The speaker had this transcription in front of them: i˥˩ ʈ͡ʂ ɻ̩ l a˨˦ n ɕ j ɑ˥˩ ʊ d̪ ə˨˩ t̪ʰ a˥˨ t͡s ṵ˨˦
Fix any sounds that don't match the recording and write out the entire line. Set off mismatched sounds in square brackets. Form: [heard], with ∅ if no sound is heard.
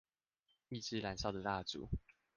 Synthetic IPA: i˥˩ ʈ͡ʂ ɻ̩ l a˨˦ n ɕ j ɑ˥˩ ʊ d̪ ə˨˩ [t̪] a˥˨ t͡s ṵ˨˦